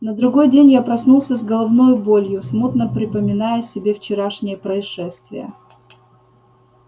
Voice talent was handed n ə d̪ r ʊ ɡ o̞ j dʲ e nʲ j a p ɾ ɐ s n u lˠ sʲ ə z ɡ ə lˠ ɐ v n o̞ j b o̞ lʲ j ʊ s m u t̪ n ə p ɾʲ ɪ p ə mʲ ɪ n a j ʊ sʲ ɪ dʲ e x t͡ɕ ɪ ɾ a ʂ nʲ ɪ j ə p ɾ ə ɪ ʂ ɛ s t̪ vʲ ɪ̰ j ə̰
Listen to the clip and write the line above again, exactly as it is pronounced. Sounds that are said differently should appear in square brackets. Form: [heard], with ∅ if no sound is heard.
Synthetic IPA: n ə d̪ [ɾ] ʊ ɡ o̞ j dʲ e nʲ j a p ɾ ɐ s n u lˠ sʲ ə z ɡ ə lˠ ɐ v n o̞ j b o̞ lʲ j ʊ s m u t̪ n ə p ɾʲ ɪ p ə mʲ ɪ n a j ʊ sʲ ɪ [bʲ] e [f] t͡ɕ ɪ ɾ a ʂ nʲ ɪ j ə p ɾ ə ɪ ʂ ɛ s t̪ vʲ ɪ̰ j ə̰